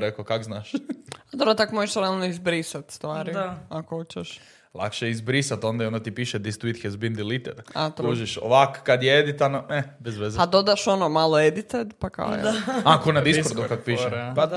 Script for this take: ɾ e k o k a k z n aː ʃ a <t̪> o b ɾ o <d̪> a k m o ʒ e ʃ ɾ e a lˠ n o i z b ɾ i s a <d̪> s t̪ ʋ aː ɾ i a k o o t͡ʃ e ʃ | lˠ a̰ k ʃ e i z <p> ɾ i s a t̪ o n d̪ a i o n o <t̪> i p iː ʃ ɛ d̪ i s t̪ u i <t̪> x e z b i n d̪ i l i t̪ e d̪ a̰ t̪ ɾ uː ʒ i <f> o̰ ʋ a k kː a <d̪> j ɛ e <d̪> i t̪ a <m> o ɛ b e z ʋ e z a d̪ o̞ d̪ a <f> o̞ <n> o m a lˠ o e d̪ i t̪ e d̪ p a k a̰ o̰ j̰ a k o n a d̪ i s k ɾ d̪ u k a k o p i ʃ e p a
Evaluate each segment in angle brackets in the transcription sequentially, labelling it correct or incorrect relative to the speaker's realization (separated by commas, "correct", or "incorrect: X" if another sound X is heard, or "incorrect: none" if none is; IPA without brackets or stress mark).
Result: incorrect: d̪, incorrect: t̪, incorrect: t̪, incorrect: b, correct, correct, incorrect: ʃ, correct, correct, incorrect: n, incorrect: ʃ, correct